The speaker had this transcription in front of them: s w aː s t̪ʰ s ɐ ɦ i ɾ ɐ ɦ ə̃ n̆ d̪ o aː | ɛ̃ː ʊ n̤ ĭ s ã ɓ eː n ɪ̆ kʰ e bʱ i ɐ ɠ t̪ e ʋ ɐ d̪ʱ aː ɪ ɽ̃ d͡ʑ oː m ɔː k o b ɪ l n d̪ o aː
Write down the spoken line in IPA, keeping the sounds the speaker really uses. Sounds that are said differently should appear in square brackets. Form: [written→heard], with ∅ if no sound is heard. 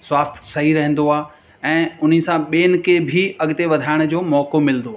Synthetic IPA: s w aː s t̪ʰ s ɐ ɦ i ɾ ɐ ɦ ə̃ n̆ d̪ o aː | ɛ̃ː ʊ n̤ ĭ s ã ɓ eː n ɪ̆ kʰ e bʱ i ɐ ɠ t̪ e ʋ ɐ d̪ʱ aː ɪ ɽ̃ d͡ʑ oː m ɔː k o [b→m] ɪ l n d̪ o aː